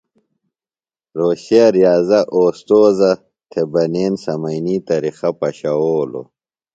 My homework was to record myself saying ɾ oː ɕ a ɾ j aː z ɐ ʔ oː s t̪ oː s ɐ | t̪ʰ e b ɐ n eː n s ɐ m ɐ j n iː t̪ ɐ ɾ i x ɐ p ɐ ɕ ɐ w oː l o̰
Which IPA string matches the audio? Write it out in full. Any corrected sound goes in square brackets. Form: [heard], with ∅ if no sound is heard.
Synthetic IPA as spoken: ɾ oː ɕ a ɾ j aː z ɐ ʔ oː s t̪ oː [z] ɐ | t̪ʰ e b ɐ n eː n s ɐ m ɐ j n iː t̪ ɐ ɾ i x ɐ p ɐ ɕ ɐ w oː l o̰